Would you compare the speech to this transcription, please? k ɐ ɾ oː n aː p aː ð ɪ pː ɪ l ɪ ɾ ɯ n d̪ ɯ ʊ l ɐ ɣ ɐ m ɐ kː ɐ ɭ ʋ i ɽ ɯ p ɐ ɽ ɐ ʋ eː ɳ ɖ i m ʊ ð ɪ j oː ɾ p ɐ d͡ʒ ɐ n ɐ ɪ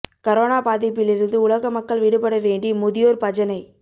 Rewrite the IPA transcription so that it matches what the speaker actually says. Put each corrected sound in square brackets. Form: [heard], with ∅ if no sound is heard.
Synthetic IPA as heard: k ɐ ɾ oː n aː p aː ð ɪ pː ɪ l ɪ ɾ ɯ n d̪ ɯ ʊ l ɐ ɣ ɐ m ɐ kː ɐ ɭ ʋ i ɽ ɯ p ɐ ɽ ɐ ʋ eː ɳ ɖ i m ʊ ð ɪ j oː ɾ p ɐ d͡ʒ ɐ n ɐ ɪ